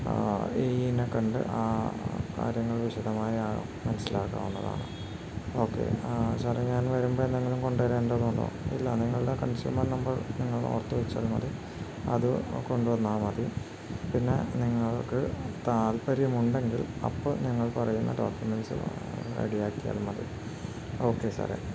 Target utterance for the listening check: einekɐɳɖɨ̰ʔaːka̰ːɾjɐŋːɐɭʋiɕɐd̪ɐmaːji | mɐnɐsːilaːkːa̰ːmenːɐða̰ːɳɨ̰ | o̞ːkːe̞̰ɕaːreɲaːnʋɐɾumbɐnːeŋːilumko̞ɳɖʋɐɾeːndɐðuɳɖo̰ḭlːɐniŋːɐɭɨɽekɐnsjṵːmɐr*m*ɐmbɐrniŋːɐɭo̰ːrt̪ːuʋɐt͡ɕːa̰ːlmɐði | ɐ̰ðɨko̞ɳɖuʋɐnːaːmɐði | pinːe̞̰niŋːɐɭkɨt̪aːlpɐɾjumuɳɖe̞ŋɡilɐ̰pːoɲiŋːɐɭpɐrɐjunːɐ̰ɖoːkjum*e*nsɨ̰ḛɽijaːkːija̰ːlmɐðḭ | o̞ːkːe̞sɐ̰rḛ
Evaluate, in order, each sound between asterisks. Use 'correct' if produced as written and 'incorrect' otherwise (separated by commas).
incorrect, correct